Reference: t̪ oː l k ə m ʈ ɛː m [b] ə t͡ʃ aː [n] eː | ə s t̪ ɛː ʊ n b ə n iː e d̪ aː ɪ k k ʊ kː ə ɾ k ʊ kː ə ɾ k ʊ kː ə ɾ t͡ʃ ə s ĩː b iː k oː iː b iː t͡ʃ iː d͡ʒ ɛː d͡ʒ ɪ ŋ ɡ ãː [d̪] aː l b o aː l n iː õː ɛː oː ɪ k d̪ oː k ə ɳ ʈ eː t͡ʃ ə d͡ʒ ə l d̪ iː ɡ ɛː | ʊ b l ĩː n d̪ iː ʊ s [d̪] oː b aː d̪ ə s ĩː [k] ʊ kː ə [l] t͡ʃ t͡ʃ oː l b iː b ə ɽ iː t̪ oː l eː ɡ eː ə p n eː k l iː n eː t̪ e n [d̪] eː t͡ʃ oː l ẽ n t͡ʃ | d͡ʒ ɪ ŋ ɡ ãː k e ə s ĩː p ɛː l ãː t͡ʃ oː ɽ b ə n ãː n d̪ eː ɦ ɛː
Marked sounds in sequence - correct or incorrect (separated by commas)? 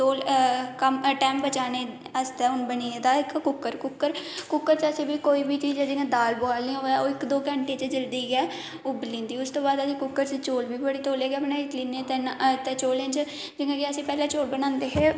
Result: correct, correct, correct, incorrect, correct, incorrect, incorrect